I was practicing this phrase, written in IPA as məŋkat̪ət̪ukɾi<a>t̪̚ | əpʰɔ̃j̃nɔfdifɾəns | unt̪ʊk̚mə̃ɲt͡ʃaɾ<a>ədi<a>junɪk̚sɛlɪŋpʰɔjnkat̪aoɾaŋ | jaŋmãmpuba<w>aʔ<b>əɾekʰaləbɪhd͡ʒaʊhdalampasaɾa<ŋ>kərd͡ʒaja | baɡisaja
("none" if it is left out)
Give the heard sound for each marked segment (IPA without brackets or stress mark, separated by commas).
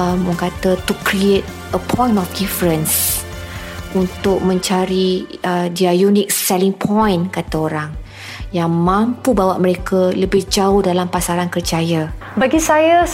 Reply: e, i, a, w, m, n